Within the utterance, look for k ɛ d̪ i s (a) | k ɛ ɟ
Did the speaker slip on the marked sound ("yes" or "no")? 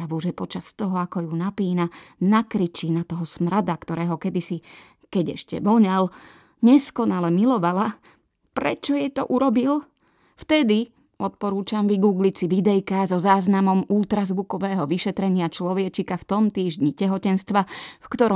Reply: yes